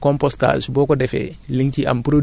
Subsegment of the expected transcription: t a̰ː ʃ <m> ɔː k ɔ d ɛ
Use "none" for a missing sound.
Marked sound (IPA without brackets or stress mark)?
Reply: b